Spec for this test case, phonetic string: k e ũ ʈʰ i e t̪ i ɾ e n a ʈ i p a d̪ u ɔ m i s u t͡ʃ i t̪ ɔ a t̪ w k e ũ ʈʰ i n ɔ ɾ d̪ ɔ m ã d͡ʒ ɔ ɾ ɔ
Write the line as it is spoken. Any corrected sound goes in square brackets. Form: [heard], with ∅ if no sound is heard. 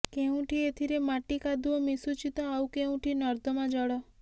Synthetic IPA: k e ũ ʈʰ i e [t̪ʰ] i ɾ e [m] a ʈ i [k] a d̪ u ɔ m i s u t͡ʃ i t̪ ɔ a [∅] w k e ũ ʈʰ i n ɔ ɾ d̪ ɔ m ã d͡ʒ ɔ [ɽ] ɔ